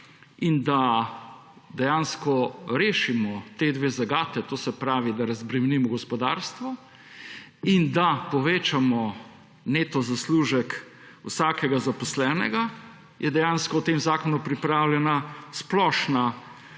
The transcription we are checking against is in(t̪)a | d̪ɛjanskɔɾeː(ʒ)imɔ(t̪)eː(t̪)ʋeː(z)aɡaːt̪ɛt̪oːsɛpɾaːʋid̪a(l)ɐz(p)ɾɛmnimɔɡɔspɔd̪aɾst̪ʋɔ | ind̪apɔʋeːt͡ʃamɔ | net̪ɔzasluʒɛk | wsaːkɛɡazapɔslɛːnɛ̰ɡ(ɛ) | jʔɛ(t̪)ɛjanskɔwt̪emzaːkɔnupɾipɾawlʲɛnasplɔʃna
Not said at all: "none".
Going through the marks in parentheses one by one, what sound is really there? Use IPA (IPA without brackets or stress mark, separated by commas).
d̪, ʃ, t̪, d̪, z, ɾ, b, a, d̪